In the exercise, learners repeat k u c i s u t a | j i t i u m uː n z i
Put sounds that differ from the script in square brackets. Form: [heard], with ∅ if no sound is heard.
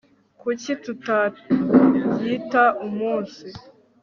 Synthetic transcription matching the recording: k u c i [t] u t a | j i t [a] u m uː n [s] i